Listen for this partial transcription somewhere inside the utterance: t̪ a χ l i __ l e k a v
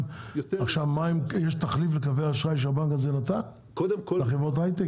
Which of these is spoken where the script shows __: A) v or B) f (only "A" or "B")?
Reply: B